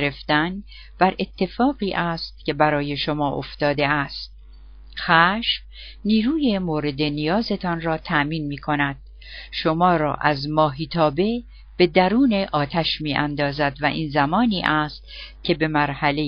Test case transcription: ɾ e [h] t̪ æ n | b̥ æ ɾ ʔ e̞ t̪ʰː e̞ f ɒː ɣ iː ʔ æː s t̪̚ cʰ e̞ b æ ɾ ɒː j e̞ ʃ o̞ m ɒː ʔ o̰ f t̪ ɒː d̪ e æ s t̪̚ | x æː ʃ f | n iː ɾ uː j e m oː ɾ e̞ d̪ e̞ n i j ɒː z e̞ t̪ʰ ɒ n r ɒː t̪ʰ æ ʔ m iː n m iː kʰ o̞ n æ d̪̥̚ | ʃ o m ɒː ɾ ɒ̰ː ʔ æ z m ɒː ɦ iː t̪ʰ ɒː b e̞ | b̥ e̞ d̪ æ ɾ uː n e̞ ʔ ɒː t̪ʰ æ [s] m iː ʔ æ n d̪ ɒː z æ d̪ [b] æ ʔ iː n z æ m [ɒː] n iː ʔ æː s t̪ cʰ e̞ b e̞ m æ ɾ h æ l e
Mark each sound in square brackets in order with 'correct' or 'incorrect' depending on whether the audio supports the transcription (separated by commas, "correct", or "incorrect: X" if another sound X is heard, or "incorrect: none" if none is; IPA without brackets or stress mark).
incorrect: f, incorrect: ʃ, incorrect: v, correct